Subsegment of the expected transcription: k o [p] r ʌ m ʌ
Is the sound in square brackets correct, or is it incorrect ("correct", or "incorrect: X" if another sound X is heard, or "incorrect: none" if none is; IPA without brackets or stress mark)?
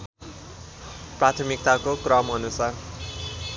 incorrect: k